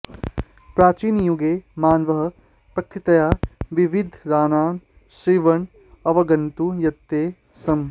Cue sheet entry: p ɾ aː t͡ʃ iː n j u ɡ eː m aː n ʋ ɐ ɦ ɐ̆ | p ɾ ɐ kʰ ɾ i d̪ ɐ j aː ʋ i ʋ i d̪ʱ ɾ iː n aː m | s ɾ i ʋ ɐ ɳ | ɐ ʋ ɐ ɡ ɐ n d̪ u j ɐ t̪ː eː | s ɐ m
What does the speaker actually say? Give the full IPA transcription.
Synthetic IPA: p ɾ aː t͡ʃ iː n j u ɡ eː m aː n ʋ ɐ ɦ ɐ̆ | p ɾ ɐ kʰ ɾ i t̪ ɐ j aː ʋ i ʋ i d̪ʱ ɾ aː n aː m | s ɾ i ʋ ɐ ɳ | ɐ ʋ ɐ ɡ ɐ n t̪ u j ɐ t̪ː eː | s ɐ m